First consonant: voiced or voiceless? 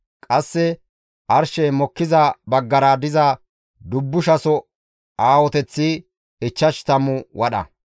voiceless